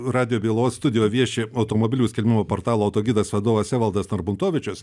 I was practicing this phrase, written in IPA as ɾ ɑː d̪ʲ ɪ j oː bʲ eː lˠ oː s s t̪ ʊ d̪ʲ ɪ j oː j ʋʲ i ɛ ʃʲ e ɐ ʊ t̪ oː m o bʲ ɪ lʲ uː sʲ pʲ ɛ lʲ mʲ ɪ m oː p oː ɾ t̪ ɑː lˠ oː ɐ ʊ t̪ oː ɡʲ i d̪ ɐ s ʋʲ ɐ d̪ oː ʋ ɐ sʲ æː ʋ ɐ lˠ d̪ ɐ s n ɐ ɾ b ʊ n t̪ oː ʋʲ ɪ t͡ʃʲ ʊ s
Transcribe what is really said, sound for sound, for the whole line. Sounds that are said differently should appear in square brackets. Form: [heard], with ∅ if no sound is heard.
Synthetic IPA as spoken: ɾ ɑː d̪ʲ ɪ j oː bʲ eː lˠ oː s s t̪ ʊ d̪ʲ ɪ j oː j ʋʲ i ɛ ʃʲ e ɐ ʊ t̪ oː m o bʲ ɪ lʲ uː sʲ [kʲ] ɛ lʲ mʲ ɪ m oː p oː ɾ t̪ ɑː lˠ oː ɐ ʊ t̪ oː ɡʲ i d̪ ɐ s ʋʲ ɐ d̪ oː ʋ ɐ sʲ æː ʋ ɐ lˠ d̪ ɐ s n ɐ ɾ b ʊ n t̪ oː ʋʲ ɪ t͡ʃʲ ʊ s

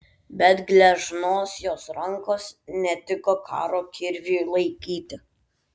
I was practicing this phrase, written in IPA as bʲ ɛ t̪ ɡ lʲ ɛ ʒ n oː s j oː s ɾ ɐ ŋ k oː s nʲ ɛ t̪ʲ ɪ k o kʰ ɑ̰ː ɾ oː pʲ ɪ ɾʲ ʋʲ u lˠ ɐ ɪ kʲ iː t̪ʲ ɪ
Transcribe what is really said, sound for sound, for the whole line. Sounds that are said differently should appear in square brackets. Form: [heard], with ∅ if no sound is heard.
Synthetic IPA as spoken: bʲ ɛ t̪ ɡ lʲ ɛ ʒ n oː s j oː s ɾ ɐ ŋ k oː s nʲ ɛ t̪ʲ ɪ k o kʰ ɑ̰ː ɾ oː [kʲ] ɪ ɾʲ ʋʲ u lˠ ɐ ɪ kʲ iː t̪ʲ ɪ

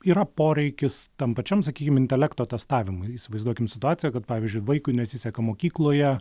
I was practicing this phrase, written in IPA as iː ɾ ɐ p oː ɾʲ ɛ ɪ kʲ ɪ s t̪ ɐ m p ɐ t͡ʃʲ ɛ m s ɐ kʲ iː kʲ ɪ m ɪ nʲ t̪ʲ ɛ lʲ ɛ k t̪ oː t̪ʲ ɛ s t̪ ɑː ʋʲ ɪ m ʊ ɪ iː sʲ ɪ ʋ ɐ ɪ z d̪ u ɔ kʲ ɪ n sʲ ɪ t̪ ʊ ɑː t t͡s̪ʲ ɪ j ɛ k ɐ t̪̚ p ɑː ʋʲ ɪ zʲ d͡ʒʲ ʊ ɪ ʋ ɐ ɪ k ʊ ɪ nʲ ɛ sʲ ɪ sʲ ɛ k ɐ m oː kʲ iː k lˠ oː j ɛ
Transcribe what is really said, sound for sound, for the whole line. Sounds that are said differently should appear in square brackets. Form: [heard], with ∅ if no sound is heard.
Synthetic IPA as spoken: iː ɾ ɐ p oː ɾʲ ɛ ɪ kʲ ɪ s t̪ ɐ m p ɐ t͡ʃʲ ɛ m s ɐ kʲ iː kʲ ɪ m ɪ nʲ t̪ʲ ɛ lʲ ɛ k t̪ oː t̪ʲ ɛ s t̪ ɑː ʋʲ ɪ m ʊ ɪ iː sʲ ɪ ʋ ɐ ɪ z d̪ u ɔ kʲ ɪ [m] sʲ ɪ t̪ ʊ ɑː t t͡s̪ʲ ɪ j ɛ k ɐ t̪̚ p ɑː ʋʲ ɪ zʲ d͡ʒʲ ʊ ɪ ʋ ɐ ɪ k ʊ ɪ nʲ ɛ sʲ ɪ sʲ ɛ k ɐ m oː kʲ iː k lˠ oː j ɛ

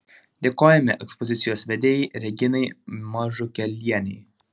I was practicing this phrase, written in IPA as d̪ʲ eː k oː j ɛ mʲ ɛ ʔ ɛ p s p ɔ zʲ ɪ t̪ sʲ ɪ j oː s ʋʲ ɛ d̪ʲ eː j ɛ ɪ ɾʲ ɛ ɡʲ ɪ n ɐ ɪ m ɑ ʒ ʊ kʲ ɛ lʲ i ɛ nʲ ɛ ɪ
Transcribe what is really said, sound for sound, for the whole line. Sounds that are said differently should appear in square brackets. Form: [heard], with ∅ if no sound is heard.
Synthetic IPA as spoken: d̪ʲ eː k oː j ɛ mʲ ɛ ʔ ɛ [k] s p ɔ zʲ ɪ t̪ sʲ ɪ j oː s ʋʲ ɛ d̪ʲ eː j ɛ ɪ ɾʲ ɛ ɡʲ ɪ n ɐ ɪ m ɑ ʒ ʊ kʲ ɛ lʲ i ɛ nʲ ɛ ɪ

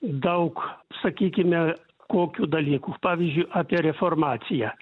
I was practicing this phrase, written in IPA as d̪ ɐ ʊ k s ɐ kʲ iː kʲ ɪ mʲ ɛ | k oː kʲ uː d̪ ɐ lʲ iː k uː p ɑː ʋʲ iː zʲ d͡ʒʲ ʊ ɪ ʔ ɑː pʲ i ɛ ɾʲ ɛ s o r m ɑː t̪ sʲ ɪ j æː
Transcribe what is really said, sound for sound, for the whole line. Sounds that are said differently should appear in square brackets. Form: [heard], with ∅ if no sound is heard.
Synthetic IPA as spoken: d̪ ɐ ʊ k s ɐ kʲ iː kʲ ɪ mʲ ɛ | k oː kʲ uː d̪ ɐ lʲ iː k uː p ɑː ʋʲ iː zʲ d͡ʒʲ ʊ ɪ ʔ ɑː pʲ i ɛ ɾʲ ɛ [f] o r m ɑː t̪ sʲ ɪ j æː

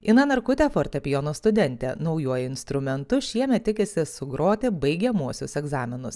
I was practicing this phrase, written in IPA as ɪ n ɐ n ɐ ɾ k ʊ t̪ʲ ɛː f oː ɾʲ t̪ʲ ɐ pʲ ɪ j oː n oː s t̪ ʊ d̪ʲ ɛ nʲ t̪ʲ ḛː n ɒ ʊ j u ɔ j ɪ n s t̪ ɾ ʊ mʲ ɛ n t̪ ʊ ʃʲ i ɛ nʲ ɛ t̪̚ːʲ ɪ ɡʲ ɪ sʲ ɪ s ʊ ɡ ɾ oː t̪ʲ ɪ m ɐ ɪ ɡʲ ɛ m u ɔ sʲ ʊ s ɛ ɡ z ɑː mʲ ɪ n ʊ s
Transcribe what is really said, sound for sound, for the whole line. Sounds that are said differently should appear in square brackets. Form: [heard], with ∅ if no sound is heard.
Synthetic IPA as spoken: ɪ n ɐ n ɐ ɾ k ʊ t̪ʲ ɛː f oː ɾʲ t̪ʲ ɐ pʲ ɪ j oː n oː s t̪ ʊ d̪ʲ ɛ nʲ t̪ʲ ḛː n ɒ ʊ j u ɔ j ɪ n s t̪ ɾ ʊ mʲ ɛ n t̪ ʊ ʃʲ i ɛ [mʲ] ɛ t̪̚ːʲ ɪ [kʲ] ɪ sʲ ɪ s ʊ ɡ ɾ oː t̪ʲ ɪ [b] ɐ ɪ ɡʲ ɛ m u ɔ sʲ ʊ s ɛ ɡ z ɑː mʲ ɪ n ʊ s

